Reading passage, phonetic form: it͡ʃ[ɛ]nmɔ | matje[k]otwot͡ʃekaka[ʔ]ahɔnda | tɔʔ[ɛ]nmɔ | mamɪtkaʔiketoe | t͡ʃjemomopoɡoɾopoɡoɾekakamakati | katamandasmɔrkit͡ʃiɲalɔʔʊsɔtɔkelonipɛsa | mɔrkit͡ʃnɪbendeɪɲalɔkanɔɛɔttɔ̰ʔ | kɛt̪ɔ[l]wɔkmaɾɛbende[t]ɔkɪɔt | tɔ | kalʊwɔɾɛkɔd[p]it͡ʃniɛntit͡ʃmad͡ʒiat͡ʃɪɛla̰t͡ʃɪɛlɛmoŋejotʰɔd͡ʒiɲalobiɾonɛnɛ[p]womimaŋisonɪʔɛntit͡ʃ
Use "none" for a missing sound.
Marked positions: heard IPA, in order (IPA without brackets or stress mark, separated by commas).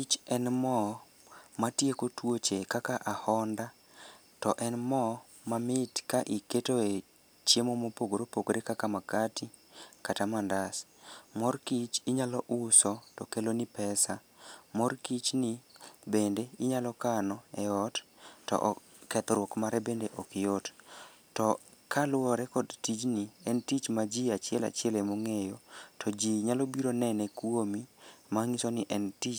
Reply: ɛ, k, ʔ, ɛ, ɾ, ʔ, t, k